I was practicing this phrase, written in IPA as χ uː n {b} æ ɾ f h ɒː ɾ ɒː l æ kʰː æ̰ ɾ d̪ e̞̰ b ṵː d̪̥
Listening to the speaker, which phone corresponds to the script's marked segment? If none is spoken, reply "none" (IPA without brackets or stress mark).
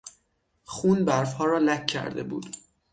b